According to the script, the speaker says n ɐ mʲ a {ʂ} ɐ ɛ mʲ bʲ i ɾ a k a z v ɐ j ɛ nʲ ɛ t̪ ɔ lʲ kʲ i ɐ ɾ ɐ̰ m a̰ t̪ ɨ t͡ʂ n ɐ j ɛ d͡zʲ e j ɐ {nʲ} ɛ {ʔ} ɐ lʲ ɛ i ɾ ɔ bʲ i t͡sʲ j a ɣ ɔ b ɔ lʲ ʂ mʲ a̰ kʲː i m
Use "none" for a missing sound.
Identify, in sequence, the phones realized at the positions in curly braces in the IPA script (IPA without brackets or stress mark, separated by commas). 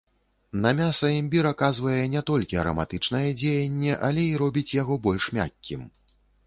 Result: s, nʲː, ʔ